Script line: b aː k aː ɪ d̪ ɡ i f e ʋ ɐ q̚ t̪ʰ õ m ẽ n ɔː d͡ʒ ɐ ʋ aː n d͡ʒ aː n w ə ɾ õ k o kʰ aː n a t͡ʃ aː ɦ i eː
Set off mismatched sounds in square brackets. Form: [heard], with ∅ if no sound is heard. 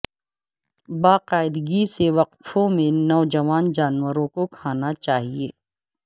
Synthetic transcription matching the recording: b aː [q] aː ɪ d̪ ɡ i [s] e ʋ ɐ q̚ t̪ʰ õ m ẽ n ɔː d͡ʒ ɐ ʋ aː n d͡ʒ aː n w ə ɾ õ k o kʰ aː n a t͡ʃ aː ɦ i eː